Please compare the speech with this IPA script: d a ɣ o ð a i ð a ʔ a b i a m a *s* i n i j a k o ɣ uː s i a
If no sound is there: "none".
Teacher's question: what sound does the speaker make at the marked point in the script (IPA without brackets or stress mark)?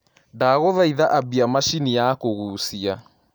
ʃ